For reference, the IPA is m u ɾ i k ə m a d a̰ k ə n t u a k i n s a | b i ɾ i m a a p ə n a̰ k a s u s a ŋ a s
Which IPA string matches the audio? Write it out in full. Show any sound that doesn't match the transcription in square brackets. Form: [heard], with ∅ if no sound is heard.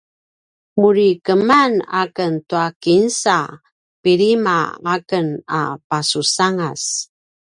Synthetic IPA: m u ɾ i k ə m a [n] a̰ k ə n t u a k i n s a | [p] i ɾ i m a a [k] ə n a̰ [p] a s u s a ŋ a s